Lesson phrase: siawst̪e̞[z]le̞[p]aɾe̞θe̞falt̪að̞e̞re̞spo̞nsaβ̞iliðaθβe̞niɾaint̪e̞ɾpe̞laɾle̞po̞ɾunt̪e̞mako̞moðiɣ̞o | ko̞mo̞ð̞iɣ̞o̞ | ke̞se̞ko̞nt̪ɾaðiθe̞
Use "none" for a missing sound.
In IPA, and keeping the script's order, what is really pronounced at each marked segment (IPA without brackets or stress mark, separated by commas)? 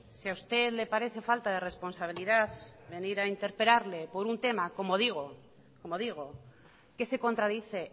ð, p